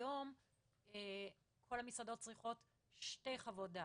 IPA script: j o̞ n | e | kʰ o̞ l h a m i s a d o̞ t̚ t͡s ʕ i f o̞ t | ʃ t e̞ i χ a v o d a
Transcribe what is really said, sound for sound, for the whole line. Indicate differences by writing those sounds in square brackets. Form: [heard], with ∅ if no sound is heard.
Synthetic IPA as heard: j o̞ [m] | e | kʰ o̞ l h a m i s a d o̞ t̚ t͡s [ʁ] i [χ] o̞ t | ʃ t e̞ [j] χ a v o d a